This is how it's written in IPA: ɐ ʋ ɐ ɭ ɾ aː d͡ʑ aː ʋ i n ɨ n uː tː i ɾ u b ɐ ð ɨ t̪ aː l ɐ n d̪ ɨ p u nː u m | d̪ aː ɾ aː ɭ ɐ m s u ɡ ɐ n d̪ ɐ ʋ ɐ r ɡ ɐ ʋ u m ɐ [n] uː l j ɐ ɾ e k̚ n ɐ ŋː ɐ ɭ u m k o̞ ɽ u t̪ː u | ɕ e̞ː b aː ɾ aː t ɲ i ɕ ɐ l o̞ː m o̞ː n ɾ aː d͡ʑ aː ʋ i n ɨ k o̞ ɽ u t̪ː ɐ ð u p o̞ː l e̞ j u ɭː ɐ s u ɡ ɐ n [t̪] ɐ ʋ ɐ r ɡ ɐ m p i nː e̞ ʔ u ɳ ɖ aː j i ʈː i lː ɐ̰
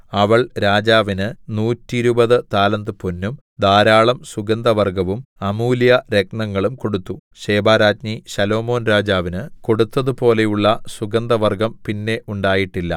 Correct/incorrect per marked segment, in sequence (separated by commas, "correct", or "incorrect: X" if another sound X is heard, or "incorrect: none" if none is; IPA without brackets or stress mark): incorrect: m, incorrect: d̪